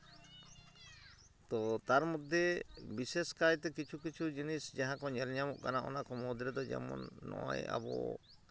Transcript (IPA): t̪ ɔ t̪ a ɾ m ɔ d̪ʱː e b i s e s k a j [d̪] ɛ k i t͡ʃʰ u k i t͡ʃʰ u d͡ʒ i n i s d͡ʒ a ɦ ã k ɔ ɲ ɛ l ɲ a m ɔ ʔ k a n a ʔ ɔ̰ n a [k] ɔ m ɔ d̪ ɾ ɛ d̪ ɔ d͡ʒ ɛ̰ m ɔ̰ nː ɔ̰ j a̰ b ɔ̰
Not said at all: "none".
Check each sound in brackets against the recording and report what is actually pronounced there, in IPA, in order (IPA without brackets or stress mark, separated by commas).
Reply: t̪, k